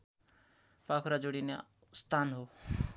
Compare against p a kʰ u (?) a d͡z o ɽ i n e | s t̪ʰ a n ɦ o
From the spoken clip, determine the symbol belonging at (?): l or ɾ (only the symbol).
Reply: ɾ